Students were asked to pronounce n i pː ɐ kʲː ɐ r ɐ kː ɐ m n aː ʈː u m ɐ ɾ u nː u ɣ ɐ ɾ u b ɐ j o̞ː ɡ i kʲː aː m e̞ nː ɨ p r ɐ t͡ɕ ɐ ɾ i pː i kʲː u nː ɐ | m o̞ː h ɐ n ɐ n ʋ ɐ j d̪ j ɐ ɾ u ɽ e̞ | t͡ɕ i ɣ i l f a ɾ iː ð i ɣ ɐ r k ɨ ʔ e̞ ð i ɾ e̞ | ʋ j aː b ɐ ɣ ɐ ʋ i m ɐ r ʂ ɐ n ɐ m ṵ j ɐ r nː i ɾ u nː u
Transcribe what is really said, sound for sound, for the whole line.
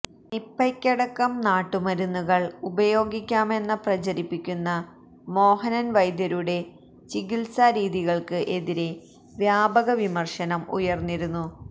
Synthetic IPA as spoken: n i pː ɐ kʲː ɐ ɽ ɐ kː ɐ m n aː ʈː u m ɐ ɾ u nː u ɣ ɐ ɭ u b ɐ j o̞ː ɡ i kʲː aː m e̞ nː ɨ p r ɐ t͡ɕ ɐ ɾ i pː i kʲː u nː ɐ | m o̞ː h ɐ n ɐ n ʋ ɐ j d̪ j ɐ ɾ u ɽ e̞ | t͡ɕ i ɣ i l s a ɾ iː ð i ɣ ɐ ɭ k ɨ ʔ e̞ ð i ɾ e̞ | ʋ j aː b ɐ ɣ ɐ ʋ i m ɐ r ʂ ɐ n ɐ m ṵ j ɐ r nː i ɾ u nː u

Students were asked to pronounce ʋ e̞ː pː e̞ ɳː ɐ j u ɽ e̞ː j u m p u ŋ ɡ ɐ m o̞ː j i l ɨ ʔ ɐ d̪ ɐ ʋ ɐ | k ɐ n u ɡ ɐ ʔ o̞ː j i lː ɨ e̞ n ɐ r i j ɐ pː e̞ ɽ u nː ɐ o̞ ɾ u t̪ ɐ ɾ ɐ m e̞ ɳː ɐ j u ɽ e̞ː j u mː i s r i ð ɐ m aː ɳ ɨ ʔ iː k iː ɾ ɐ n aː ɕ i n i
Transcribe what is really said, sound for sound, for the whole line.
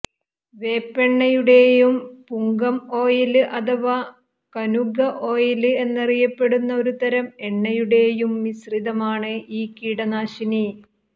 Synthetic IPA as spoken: ʋ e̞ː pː e̞ ɳː ɐ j u ɽ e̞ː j u m p u ŋ ɡ ɐ m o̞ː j i l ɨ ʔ ɐ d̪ ɐ ʋ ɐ | k ɐ n u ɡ ɐ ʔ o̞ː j i l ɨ e̞ nː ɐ r i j ɐ pː e̞ ɽ u nː ɐ o̞ ɾ u t̪ ɐ ɾ ɐ m e̞ ɳː ɐ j u ɽ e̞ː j u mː i s r i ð ɐ m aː ɳ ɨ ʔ iː k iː ɽ ɐ n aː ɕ i n i

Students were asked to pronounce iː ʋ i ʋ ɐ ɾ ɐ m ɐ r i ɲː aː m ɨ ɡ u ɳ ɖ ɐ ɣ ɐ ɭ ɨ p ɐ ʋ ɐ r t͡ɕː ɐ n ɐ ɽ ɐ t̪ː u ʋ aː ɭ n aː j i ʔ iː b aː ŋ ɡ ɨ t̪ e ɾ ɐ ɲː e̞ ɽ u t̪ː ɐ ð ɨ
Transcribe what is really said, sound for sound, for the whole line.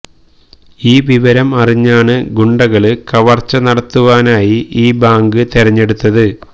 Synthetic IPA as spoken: iː ʋ i ʋ ɐ ɾ ɐ m ɐ r i ɲː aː ɳ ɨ ɡ u ɳ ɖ ɐ ɣ ɐ ɭ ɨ k ɐ ʋ ɐ r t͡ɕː ɐ n ɐ ɽ ɐ t̪ː u ʋ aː n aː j i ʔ iː b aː ŋ ɡ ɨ t̪ e ɾ ɐ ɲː e̞ ɽ u t̪ː ɐ ð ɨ

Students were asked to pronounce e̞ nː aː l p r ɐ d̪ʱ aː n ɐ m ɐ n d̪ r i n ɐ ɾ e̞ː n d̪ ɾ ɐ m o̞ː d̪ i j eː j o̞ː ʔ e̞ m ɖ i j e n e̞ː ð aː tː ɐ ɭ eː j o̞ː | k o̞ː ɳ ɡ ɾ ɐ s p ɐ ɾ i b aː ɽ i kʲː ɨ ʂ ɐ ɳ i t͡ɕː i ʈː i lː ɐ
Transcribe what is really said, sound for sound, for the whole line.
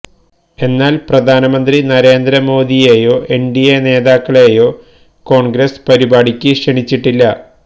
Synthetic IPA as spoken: e̞ nː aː l p r ɐ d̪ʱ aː n ɐ m ɐ n d̪ r i n ɐ ɾ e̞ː n d̪ ɾ ɐ m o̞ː d̪ i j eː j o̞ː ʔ e̞ ɳ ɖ i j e n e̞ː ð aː kː ɐ ɭ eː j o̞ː | k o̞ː ɳ ɡ ɾ ɐ s p ɐ ɾ i b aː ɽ i kʲː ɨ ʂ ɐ ɳ i t͡ɕː i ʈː i lː ɐ

